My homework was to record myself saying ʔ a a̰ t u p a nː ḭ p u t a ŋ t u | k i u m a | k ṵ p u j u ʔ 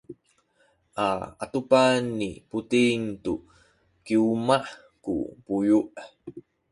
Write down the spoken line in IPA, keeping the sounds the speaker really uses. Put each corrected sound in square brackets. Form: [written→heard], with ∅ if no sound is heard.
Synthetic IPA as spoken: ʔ a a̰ t u p a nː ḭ p u t [a→i] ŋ t u | k i u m a | k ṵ p u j u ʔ